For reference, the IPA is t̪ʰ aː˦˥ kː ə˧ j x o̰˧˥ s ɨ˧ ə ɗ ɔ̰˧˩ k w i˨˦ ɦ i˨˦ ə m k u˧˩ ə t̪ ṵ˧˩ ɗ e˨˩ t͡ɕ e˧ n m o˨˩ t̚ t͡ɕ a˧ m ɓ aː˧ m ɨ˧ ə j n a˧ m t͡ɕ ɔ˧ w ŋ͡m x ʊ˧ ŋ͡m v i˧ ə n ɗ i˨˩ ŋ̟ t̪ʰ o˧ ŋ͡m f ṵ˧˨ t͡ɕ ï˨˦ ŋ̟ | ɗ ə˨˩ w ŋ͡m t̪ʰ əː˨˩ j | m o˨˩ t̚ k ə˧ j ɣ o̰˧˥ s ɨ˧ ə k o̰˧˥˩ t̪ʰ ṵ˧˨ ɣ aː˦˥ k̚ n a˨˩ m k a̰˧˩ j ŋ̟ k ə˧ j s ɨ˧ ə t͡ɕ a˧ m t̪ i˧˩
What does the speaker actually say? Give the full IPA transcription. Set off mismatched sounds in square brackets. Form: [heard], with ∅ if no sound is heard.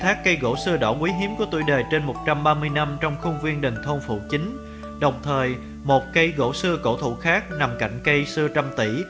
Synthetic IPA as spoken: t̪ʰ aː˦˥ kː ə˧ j [ɣ] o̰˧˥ s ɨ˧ ə ɗ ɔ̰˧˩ k w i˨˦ ɦ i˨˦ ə m k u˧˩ ə t̪ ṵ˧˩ ɗ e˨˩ t͡ɕ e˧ n m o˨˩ t̚ t͡ɕ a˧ m ɓ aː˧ m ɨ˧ ə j n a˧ m t͡ɕ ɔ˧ w ŋ͡m x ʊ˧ ŋ͡m v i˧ ə n ɗ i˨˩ ŋ̟ t̪ʰ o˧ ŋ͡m f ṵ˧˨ t͡ɕ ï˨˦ ŋ̟ | ɗ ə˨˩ w ŋ͡m t̪ʰ əː˨˩ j | m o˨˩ t̚ k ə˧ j ɣ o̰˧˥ s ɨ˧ ə k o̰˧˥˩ t̪ʰ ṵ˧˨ [x] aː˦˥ k̚ n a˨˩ m k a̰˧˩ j ŋ̟ k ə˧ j s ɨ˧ ə t͡ɕ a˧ m t̪ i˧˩